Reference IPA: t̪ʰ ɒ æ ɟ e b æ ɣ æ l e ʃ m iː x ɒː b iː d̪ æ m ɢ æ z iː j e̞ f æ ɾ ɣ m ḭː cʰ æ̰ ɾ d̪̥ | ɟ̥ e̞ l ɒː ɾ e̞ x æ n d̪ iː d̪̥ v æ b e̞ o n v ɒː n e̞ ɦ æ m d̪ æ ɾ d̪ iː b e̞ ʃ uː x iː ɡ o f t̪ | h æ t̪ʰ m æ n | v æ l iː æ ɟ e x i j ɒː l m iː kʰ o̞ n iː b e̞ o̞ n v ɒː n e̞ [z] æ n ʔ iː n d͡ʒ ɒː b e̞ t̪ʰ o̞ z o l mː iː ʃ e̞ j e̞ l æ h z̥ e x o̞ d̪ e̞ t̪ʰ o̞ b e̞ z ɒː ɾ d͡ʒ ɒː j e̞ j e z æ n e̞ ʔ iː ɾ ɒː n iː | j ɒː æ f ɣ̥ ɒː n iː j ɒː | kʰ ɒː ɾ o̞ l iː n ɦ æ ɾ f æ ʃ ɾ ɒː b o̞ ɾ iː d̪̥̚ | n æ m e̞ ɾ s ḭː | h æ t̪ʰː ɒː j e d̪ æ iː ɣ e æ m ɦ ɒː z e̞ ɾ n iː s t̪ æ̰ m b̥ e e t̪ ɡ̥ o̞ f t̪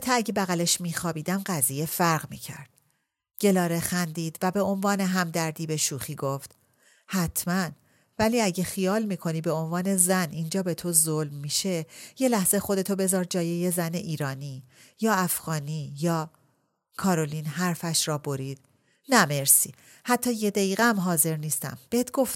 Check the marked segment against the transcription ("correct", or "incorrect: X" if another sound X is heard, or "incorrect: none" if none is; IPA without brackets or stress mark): correct